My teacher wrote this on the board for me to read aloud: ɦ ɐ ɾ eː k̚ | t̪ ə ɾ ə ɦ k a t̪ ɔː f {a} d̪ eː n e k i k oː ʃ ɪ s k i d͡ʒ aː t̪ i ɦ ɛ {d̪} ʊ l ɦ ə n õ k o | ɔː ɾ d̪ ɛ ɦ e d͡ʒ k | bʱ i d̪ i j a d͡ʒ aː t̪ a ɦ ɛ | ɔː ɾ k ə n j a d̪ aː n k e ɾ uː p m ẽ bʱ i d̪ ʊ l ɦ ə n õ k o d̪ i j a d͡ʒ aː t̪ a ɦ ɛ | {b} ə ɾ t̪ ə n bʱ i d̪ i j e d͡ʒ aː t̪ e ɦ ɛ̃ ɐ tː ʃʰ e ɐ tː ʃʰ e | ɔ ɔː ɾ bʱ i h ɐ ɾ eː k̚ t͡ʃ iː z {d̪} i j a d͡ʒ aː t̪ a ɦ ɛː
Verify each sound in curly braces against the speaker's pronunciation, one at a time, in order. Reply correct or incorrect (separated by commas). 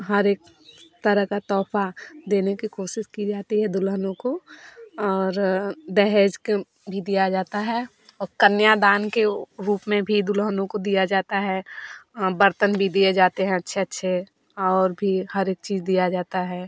correct, correct, correct, correct